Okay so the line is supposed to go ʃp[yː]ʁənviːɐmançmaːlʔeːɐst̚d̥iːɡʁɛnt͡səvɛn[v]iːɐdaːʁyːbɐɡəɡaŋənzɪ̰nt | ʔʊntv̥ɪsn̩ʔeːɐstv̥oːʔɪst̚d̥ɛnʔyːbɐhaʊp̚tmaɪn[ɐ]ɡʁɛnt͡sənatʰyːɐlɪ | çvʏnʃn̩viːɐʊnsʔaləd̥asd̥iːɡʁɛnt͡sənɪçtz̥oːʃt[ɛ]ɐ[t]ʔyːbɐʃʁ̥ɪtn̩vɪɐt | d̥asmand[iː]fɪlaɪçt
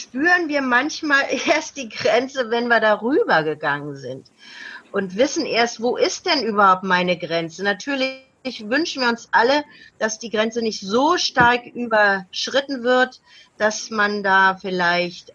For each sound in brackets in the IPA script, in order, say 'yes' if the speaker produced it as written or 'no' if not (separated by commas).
yes, yes, no, no, no, no